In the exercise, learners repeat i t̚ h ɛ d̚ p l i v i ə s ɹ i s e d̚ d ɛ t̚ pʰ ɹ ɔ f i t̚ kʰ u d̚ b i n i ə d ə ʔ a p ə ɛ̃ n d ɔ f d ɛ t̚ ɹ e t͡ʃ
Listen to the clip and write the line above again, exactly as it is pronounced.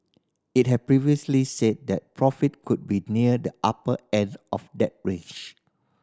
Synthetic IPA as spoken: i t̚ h ɛ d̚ p ɹ i v i ə s l i s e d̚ d ɛ t̚ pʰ ɹ ɔ f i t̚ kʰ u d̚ b i n i ə d ə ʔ a p ə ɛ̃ n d ɔ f d ɛ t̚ ɹ e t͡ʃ